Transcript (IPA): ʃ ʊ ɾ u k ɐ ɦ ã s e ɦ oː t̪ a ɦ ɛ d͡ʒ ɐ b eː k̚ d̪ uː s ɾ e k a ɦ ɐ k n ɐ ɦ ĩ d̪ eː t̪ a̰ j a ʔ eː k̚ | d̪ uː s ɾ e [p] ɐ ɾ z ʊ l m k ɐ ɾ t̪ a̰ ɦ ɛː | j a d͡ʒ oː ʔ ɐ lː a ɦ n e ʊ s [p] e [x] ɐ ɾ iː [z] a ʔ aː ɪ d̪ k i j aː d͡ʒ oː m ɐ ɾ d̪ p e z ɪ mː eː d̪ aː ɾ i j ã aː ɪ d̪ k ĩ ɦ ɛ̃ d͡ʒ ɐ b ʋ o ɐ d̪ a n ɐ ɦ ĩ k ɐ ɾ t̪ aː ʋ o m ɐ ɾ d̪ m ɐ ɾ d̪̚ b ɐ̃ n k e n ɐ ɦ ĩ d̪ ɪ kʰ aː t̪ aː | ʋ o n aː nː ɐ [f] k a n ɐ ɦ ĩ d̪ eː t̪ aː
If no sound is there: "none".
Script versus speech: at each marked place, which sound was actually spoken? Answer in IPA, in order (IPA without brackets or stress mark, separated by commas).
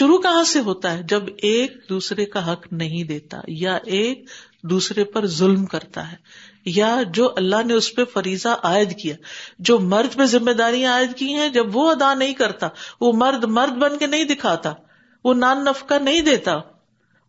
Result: p, p, f, z, f